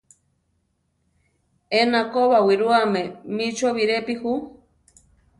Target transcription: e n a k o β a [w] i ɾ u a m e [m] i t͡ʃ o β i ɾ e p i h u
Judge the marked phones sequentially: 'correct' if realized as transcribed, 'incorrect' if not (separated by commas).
correct, correct